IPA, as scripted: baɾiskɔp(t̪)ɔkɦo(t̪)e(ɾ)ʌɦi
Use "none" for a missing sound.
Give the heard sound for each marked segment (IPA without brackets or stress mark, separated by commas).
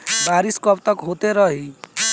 t̪, t̪, ɾ